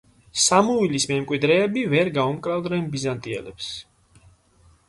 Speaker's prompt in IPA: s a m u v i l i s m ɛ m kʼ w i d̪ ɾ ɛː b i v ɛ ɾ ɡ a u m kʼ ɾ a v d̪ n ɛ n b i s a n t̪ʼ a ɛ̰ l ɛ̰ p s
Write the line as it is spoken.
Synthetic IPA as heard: s a m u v i l i s m ɛ m kʼ w i d̪ ɾ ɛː b i v ɛ ɾ ɡ a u m kʼ ɾ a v d̪ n ɛ n b i z a n t̪ʼ i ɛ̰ l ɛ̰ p s